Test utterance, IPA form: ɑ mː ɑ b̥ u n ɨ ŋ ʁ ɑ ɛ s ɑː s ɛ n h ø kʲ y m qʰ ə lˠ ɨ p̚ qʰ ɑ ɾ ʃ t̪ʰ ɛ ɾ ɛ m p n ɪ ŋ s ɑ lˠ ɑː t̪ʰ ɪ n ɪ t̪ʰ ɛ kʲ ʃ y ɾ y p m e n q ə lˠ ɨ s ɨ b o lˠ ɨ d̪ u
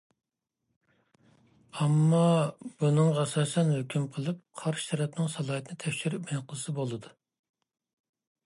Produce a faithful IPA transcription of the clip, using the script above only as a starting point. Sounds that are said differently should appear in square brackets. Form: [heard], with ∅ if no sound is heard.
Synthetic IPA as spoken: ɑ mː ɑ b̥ u n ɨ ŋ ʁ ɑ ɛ s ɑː s ɛ n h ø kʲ y m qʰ ə lˠ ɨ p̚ qʰ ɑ ɾ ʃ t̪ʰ ɛ ɾ ɛ [∅] p n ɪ ŋ s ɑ lˠ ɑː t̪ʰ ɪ n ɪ t̪ʰ ɛ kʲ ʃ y ɾ y p m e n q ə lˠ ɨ s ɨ b o lˠ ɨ d̪ u